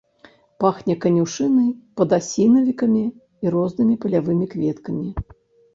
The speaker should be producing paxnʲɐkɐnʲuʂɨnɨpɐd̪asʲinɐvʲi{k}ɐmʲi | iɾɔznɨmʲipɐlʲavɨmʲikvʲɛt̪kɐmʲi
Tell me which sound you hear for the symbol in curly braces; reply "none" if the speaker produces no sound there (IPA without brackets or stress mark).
k